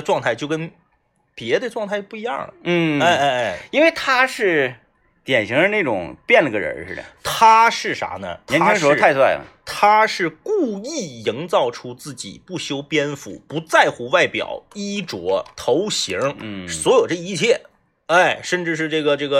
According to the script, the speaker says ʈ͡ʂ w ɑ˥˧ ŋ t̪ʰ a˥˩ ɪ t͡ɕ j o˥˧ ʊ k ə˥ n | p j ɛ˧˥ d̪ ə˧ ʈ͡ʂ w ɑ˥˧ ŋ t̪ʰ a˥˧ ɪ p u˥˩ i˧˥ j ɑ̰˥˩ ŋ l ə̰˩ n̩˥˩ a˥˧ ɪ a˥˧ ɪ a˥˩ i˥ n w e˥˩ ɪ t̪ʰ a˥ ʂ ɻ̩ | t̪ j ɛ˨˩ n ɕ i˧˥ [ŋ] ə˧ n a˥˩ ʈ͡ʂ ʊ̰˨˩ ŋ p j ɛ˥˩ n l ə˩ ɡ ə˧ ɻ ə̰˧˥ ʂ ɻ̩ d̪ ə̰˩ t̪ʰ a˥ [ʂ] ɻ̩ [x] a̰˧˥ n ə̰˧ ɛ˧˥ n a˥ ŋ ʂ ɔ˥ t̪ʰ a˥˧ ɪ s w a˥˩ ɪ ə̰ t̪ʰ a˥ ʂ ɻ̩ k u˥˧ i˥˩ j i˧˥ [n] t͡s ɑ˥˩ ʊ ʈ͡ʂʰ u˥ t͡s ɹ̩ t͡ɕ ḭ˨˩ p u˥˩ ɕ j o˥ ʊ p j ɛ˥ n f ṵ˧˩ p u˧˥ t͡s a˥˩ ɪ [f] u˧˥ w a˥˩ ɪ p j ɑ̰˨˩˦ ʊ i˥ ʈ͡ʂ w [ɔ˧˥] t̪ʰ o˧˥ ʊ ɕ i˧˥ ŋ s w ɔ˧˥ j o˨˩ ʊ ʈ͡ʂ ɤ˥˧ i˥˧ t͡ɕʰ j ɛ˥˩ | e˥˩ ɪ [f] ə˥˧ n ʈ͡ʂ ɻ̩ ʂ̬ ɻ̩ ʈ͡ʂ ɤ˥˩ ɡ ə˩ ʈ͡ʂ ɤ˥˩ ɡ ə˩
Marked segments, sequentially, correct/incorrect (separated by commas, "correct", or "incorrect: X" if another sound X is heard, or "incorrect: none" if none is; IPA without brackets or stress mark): correct, correct, incorrect: ʂ, incorrect: ŋ, incorrect: x, correct, incorrect: ʂ